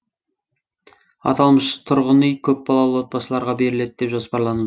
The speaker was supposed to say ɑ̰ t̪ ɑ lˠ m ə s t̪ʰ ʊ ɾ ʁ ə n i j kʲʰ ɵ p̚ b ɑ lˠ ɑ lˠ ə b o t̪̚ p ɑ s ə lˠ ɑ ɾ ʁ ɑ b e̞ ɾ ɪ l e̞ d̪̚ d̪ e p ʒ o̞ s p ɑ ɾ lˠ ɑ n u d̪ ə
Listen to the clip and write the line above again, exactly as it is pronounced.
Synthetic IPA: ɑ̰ t̪ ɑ lˠ m ə ʃ t̪ʰ ʊ ɾ ʁ ə n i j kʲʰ ɵ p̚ b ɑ lˠ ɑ lˠ ə w o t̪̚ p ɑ s ə lˠ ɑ ɾ ʁ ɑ b e̞ ɾ ɪ l e̞ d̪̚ d̪ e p ʒ o̞ s p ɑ ɾ lˠ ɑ n u d̪ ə